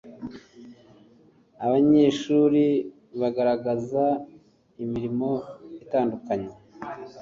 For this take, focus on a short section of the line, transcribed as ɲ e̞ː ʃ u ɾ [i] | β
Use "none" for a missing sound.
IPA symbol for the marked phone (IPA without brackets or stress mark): i